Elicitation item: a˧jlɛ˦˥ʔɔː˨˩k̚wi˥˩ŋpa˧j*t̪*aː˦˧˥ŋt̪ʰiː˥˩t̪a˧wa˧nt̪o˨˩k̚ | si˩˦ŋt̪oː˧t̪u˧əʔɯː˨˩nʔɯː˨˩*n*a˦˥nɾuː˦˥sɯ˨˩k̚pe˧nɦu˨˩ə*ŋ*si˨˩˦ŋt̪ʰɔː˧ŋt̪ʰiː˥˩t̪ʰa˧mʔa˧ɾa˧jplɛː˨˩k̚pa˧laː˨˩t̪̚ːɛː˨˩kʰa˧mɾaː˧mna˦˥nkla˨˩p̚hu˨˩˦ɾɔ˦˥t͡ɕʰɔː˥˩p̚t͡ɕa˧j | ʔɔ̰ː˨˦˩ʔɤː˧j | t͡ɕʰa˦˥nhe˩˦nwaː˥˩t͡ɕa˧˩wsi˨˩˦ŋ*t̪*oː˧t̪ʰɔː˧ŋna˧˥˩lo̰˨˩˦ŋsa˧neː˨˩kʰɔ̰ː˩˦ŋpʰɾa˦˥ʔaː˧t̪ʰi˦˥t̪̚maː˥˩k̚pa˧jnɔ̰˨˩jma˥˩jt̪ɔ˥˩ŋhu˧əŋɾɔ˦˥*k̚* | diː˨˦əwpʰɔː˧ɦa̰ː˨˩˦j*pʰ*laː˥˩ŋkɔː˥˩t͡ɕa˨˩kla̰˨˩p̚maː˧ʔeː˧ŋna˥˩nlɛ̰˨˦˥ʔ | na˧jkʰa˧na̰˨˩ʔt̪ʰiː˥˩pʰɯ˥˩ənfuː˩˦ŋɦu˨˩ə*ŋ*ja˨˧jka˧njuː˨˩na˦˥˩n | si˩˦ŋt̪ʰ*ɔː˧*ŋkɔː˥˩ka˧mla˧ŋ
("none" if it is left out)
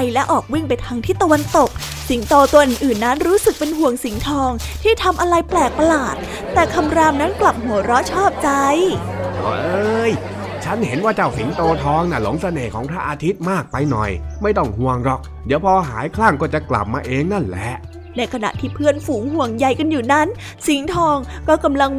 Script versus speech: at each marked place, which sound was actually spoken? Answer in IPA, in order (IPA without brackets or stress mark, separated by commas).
t̪ʰ, nː, ŋ, t̪, k̚, kʰ, ŋ, ɔː˧